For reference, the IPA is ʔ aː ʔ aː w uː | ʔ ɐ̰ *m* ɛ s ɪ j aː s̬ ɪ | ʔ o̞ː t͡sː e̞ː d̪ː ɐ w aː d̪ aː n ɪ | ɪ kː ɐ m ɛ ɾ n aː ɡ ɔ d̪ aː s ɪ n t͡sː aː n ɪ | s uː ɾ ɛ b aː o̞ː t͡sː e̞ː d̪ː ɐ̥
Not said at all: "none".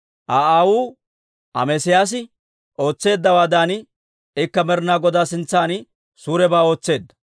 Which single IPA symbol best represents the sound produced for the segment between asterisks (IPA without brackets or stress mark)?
m